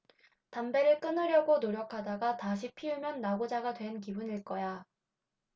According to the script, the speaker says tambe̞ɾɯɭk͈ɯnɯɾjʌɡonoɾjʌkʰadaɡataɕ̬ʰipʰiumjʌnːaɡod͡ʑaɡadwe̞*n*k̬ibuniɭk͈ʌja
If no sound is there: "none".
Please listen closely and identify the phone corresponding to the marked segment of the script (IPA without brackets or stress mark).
n